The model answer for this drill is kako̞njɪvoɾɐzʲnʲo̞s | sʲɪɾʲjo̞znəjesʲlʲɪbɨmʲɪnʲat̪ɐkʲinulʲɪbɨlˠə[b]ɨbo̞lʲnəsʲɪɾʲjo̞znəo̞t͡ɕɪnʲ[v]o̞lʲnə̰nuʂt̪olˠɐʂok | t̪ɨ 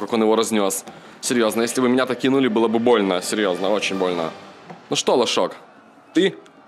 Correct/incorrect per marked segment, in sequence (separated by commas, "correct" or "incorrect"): correct, incorrect